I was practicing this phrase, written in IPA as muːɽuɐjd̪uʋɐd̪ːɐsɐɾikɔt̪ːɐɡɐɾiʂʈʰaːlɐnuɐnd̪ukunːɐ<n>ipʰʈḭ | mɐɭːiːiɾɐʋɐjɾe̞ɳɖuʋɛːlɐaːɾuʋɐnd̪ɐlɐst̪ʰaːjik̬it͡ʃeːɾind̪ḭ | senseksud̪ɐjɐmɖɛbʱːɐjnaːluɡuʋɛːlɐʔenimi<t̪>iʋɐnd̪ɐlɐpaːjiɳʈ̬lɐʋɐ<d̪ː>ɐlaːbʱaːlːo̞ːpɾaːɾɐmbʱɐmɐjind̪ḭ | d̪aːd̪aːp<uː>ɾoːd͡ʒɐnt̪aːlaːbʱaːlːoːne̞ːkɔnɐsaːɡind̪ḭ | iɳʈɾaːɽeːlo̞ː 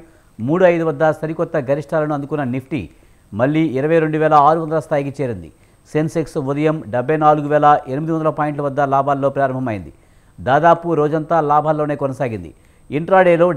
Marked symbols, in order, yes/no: yes, no, yes, no

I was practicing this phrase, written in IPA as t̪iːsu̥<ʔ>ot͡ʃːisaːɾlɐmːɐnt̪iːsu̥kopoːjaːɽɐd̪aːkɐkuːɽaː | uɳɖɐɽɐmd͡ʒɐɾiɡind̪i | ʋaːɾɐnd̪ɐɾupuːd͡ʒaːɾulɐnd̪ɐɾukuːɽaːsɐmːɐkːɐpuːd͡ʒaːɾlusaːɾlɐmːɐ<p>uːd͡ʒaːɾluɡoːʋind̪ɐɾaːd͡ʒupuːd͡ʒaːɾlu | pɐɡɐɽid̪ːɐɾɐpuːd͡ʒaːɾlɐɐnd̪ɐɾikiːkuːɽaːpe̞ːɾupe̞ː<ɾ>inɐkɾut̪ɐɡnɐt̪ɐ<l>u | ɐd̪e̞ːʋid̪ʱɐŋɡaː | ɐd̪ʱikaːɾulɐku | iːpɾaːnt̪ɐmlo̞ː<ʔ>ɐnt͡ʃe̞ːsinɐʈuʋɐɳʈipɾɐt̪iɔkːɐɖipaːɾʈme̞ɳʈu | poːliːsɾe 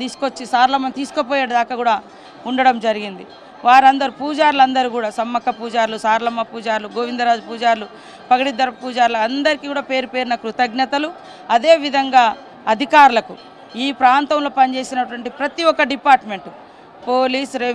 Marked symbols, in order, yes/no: no, yes, yes, yes, no

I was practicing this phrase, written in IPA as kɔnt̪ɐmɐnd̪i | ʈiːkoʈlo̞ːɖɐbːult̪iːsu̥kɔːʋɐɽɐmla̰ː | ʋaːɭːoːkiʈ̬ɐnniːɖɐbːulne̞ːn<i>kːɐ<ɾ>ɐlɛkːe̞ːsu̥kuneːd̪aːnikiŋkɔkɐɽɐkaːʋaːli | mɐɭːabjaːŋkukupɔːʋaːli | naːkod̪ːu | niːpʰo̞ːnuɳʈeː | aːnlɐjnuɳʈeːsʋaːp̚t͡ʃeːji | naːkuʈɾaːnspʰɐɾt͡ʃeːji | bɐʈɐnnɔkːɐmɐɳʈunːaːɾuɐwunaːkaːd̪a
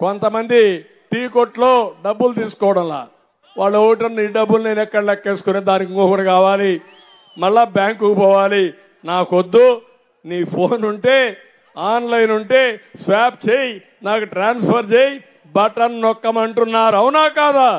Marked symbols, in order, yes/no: no, no

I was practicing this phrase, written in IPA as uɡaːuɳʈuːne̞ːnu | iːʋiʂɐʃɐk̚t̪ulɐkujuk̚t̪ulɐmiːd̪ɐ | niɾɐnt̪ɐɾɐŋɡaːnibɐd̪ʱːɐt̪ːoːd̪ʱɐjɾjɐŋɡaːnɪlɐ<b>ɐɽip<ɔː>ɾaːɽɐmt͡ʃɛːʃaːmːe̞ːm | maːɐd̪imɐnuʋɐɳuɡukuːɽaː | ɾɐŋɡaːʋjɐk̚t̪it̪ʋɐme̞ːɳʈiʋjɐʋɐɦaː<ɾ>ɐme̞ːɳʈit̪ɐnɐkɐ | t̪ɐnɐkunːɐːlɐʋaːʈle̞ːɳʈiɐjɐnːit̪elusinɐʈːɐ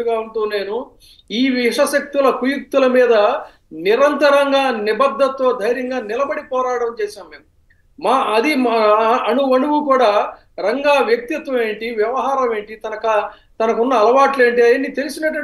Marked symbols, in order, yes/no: yes, yes, yes

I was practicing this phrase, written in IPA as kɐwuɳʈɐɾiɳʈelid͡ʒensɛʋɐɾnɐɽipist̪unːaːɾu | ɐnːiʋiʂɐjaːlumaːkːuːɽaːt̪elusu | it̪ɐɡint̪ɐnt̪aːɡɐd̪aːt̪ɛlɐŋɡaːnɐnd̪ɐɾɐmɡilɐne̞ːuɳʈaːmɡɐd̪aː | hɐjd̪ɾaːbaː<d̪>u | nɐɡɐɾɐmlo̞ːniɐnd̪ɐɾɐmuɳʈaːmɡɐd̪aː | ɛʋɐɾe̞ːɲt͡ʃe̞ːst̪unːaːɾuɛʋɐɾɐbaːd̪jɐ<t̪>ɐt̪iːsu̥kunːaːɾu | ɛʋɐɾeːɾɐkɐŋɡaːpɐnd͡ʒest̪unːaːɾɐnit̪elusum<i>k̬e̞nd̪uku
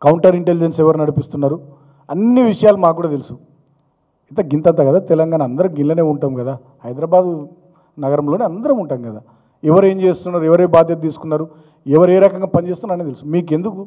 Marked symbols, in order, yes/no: yes, yes, no

